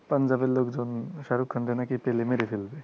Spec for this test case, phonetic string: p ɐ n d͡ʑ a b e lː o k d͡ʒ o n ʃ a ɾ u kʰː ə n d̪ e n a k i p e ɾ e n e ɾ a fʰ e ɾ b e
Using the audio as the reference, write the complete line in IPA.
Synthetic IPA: p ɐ n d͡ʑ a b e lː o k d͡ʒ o n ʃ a ɾ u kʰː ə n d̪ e n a k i p e l e m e ɾ e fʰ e l b e